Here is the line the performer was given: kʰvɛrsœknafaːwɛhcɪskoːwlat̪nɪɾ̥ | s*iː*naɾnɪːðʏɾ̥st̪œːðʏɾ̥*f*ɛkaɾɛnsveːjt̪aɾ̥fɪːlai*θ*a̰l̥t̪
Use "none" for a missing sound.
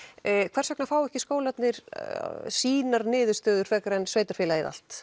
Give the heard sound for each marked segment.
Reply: iː, f, ð

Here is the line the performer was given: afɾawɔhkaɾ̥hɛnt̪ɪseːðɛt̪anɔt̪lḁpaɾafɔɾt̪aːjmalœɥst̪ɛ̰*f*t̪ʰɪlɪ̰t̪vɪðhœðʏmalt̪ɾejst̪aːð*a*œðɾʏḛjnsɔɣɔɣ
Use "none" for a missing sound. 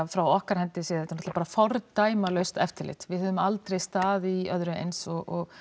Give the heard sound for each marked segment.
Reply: f, i

